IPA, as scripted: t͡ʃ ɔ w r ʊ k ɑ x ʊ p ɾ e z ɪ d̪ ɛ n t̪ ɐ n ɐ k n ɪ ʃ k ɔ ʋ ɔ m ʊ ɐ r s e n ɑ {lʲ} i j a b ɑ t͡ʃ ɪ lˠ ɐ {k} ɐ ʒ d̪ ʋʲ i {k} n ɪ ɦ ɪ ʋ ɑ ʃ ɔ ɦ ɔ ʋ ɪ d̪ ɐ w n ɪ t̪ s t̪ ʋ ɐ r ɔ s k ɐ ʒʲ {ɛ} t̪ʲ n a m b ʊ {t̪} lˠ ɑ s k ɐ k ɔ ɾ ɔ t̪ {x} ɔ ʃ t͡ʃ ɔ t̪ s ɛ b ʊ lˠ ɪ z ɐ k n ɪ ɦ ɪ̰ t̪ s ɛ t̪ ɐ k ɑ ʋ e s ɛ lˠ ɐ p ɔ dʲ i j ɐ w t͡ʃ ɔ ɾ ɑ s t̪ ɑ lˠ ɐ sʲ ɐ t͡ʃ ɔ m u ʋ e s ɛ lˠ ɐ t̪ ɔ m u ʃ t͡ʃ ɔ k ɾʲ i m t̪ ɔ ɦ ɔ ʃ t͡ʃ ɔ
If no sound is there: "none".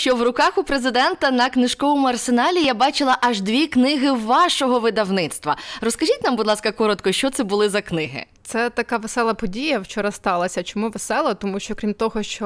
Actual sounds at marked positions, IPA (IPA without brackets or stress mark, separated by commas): lʲ, ʔ, k, i, d̪, k